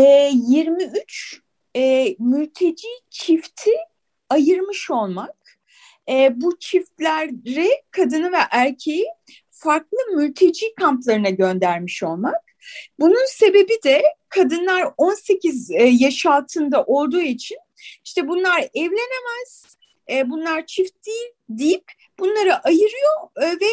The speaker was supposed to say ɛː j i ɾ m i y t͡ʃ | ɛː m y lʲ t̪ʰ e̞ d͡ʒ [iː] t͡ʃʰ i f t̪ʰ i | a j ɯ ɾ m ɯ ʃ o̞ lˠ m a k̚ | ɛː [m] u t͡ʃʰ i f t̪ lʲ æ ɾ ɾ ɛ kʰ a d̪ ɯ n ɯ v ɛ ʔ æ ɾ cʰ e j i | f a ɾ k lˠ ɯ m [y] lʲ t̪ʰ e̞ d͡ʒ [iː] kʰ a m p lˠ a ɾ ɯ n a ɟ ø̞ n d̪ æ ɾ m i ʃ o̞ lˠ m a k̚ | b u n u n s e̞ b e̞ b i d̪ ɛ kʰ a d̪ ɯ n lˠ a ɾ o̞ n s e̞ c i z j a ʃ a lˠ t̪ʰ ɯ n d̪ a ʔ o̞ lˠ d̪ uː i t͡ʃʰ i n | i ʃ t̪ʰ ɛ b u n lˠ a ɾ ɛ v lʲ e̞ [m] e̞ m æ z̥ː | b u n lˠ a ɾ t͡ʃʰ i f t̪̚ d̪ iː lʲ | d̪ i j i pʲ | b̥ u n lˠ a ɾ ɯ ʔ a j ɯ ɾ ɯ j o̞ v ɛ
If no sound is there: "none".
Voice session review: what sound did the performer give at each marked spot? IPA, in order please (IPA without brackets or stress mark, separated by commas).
iː, b, y, iː, n